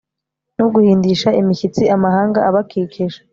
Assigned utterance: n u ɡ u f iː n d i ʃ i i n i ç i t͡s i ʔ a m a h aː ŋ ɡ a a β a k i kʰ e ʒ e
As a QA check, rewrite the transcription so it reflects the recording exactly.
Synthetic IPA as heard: n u ɡ u h iː n d i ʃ a i m i ç i t͡s i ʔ a m a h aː ŋ ɡ a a β a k i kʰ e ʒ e